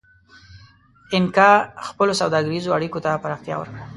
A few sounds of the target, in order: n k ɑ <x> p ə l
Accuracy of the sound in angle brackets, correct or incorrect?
correct